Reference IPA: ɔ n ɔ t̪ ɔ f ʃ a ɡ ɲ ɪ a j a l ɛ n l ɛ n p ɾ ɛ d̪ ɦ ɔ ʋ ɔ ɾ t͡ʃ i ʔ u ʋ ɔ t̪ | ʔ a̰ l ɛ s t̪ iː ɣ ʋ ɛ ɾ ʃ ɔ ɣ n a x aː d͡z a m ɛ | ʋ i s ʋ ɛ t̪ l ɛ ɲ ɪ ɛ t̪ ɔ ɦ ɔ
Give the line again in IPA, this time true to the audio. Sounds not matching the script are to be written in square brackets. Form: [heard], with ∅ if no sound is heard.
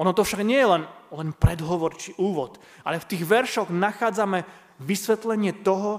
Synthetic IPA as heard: ɔ n ɔ t̪ ɔ f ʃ a ɡ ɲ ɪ [ɛ] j [ɛ] l ɛ n l ɛ n p ɾ ɛ d̪ ɦ ɔ ʋ ɔ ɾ t͡ʃ i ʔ [uː] ʋ ɔ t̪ | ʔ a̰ l ɛ [f] t̪ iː ɣ ʋ ɛ ɾ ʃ ɔ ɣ n a x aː d͡z a m ɛ | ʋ i s ʋ ɛ t̪ l ɛ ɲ ɪ ɛ t̪ ɔ ɦ ɔ